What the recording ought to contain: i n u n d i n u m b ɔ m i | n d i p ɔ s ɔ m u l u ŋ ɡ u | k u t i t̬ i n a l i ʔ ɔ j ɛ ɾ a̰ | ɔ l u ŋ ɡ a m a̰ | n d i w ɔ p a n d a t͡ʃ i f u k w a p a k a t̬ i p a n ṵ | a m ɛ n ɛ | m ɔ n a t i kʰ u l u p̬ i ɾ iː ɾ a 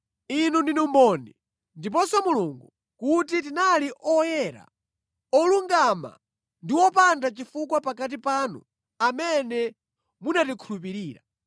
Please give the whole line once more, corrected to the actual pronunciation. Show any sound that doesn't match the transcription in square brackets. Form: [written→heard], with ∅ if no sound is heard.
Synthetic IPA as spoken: i n u n d i n u m b ɔ [m→n] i | n d i p ɔ s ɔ m u l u ŋ ɡ u | k u t i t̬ i n a l i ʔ ɔ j ɛ ɾ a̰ | ɔ l u ŋ ɡ a m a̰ | n d i w ɔ p a n d a t͡ʃ i f u k w a p a k a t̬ i p a n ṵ | a m ɛ n ɛ | m [ɔ→u] n a t i kʰ u l u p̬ i ɾ iː ɾ a